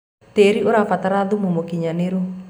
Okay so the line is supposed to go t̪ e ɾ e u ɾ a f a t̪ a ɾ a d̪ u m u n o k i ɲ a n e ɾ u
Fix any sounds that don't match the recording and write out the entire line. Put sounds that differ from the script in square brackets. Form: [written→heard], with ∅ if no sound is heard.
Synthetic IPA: t̪ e ɾ [e→i] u ɾ a f a t̪ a ɾ a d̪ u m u [n→m] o k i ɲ a n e ɾ u